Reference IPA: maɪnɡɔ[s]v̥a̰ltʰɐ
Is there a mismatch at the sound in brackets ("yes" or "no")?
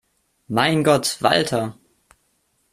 yes